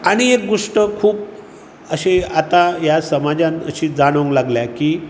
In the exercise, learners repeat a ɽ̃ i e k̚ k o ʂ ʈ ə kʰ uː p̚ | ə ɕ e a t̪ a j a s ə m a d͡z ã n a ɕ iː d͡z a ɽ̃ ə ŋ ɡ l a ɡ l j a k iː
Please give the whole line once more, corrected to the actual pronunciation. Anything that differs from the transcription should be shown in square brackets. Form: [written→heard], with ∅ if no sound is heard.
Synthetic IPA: a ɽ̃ i e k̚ [k→ɡ] o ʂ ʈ ə kʰ uː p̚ | ə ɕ e a t̪ a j a s ə m a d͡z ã n [a→ə] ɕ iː d͡z a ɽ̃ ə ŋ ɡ l a ɡ l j a k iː